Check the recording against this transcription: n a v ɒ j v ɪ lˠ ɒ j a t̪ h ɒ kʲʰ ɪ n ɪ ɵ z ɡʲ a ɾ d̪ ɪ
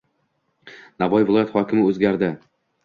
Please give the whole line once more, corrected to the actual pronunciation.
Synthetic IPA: n a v ɒ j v ɪ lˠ ɒ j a t̪ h ɒ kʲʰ ɪ m ɪ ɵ z ɡʲ a ɾ d̪ ɪ